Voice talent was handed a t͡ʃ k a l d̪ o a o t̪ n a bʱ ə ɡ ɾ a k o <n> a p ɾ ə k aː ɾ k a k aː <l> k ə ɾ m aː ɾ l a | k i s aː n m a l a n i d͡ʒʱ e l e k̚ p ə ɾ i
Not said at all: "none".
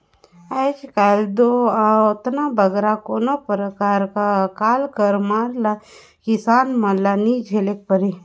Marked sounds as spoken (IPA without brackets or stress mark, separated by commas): n, l